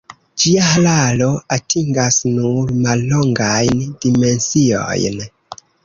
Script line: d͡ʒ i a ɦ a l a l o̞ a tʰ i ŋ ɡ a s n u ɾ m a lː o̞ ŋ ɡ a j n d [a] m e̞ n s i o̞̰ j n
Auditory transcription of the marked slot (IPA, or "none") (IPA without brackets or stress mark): i